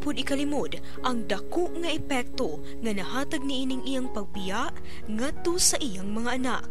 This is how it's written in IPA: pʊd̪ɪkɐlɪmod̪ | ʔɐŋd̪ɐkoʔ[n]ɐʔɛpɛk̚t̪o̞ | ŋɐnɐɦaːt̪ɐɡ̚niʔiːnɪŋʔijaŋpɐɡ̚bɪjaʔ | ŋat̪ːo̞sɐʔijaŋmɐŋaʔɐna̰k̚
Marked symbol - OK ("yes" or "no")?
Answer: no